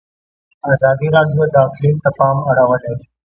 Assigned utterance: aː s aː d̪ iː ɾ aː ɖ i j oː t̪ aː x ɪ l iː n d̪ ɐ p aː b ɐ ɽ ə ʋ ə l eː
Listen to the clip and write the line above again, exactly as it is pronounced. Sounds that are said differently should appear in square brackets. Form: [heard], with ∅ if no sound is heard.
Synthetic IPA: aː [z] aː d̪ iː ɾ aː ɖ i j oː [d̪] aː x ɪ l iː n [t̪] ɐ p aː [m] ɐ ɽ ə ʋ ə l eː